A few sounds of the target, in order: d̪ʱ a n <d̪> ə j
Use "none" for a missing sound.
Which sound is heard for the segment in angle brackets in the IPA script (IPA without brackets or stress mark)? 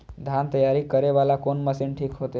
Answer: t̪